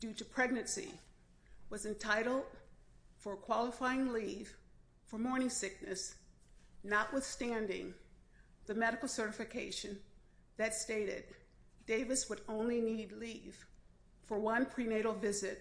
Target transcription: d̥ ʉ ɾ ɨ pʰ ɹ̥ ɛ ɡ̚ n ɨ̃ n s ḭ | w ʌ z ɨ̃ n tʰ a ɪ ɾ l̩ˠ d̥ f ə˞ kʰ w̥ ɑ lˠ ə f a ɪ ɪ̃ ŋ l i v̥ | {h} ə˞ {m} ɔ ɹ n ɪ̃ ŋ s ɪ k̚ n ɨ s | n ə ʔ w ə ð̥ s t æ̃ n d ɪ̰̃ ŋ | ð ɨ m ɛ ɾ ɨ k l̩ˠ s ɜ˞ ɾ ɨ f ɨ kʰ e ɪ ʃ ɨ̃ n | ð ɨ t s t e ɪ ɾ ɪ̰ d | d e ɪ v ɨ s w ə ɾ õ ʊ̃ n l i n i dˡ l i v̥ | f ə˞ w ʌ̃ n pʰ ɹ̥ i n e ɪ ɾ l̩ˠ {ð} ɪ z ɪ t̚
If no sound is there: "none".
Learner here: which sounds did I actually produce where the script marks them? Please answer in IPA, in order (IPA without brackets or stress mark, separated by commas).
f, m, v